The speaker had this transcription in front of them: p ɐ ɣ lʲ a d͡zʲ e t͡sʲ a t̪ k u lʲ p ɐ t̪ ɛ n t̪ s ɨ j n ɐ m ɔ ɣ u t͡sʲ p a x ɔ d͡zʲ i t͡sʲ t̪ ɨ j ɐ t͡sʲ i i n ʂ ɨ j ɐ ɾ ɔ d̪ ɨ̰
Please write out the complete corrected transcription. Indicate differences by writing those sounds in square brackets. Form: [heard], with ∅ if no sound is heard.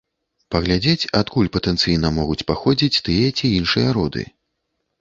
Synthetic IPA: p ɐ ɣ lʲ a d͡zʲ e t͡sʲ a t̪ k u lʲ p ɐ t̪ ɛ n t̪ s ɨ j n ɐ m ɔ ɣ u t͡sʲ p a x ɔ d͡zʲ i t͡sʲ t̪ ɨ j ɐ t͡sʲ i i n ʂ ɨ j ɐ ɾ ɔ d̪ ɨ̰